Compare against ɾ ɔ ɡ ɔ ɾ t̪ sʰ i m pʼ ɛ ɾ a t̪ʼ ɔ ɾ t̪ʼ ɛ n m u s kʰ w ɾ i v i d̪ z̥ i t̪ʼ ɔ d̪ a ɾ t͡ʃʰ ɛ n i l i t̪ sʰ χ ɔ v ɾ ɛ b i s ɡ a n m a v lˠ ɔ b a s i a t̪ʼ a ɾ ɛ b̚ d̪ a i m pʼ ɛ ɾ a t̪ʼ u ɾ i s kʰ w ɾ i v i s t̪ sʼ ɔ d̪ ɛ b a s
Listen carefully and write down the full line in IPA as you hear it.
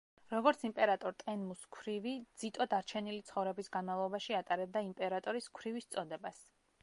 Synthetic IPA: ɾ ɔ ɡ ɔ ɾ t̪ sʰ i m pʼ ɛ ɾ a t̪ʼ ɔ ɾ t̪ʼ ɛ n m u s kʰ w ɾ i v i d̪ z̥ i t̪ʼ ɔ d̪ a ɾ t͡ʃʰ ɛ n i l i t̪ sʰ χ ɔ v ɾ ɛ b i s ɡ a n m a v lˠ ɔ b a ʃ i a t̪ʼ a ɾ ɛ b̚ d̪ a i m pʼ ɛ ɾ a t̪ʼ ɔ ɾ i s kʰ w ɾ i v i s t̪ sʼ ɔ d̪ ɛ b a s